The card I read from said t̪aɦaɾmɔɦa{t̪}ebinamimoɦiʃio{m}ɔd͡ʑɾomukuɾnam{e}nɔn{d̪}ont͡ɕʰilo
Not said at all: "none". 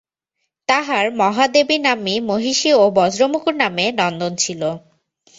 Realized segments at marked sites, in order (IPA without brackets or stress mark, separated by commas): d̪, b, e, d̪